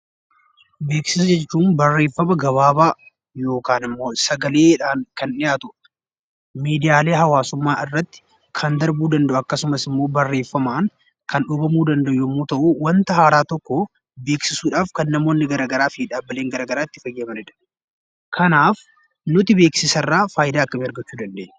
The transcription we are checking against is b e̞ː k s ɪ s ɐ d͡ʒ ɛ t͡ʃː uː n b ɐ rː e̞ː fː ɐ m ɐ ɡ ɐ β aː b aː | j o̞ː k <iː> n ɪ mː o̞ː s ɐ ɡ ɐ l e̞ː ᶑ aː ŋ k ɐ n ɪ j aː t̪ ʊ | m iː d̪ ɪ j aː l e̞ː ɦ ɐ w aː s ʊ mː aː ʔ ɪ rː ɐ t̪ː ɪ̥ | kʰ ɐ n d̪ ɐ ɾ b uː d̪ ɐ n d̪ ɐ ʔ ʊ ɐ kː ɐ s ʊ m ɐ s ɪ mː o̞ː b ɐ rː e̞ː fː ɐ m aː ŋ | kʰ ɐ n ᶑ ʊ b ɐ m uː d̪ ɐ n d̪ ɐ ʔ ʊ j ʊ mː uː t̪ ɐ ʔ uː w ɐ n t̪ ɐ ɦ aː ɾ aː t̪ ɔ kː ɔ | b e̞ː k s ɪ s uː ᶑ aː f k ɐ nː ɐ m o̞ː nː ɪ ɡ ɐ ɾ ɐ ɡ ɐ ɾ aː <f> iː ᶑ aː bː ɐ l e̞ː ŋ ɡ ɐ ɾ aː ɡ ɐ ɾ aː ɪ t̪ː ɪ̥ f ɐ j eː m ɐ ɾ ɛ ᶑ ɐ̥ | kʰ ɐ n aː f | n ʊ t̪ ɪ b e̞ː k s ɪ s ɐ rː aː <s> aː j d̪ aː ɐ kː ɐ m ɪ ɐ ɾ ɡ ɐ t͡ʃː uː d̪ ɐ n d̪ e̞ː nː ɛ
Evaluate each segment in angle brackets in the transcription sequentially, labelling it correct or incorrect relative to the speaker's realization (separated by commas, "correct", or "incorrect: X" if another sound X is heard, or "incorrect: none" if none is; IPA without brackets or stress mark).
incorrect: aː, correct, incorrect: f